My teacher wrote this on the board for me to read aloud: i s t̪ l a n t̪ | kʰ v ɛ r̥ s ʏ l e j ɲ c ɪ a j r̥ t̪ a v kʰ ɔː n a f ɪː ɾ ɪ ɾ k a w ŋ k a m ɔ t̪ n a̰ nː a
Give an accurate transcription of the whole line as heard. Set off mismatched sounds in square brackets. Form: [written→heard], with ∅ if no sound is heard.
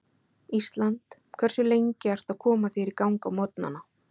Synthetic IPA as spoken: i s t̪ l a n t̪ | kʰ v ɛ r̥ s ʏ l e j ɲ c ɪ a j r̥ t̪ a [v→ð] kʰ ɔː [n→m] a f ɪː ɾ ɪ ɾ k a w ŋ k a m ɔ t̪ n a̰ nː a